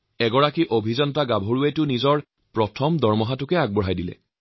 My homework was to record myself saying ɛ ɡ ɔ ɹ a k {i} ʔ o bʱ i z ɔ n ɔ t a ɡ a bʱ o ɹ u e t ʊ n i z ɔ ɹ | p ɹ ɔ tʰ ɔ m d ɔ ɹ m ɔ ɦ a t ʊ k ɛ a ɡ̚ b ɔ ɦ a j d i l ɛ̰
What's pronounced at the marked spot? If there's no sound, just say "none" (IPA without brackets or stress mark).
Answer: i